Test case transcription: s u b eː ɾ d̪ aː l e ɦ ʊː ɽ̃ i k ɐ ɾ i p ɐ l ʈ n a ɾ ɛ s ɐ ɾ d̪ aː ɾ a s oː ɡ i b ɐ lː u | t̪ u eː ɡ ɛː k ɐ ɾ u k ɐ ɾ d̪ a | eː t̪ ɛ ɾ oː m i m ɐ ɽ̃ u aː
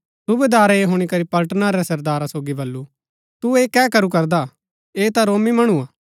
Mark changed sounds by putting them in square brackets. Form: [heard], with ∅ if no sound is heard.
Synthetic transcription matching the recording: s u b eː [∅] d̪ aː [ɾ] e ɦ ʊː ɽ̃ i k ɐ ɾ i p ɐ l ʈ n a ɾ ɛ s ɐ ɾ d̪ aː ɾ a s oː ɡ i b ɐ lː u | t̪ u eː [k] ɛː k ɐ ɾ u k ɐ ɾ d̪ a | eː t̪ [a] ɾ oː m i m ɐ ɽ̃ u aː